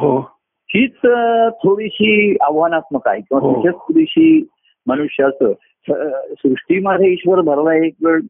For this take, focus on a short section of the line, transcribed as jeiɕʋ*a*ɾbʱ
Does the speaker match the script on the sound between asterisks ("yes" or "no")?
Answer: no